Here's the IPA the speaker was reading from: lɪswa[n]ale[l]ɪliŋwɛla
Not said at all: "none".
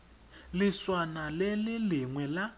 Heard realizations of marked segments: n, l

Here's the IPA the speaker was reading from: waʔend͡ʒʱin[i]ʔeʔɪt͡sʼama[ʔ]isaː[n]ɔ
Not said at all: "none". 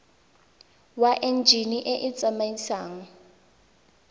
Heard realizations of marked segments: i, none, ŋ

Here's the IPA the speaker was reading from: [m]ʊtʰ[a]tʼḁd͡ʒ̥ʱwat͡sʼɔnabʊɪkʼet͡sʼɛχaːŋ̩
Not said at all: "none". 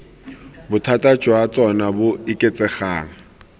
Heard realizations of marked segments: b, a

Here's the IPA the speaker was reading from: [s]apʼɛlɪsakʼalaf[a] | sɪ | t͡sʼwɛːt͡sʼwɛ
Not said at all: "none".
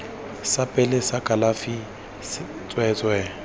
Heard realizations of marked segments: s, i

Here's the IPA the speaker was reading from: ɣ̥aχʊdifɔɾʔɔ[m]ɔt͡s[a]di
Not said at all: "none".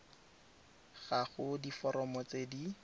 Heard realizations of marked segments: m, e

